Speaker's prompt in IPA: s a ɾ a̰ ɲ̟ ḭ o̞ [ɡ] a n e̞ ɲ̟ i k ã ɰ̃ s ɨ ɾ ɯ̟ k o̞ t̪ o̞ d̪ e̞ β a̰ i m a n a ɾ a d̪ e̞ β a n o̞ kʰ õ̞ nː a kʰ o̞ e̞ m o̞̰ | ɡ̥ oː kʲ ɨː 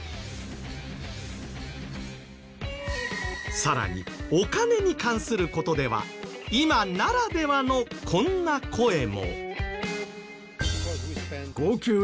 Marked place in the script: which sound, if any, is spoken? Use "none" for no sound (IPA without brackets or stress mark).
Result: k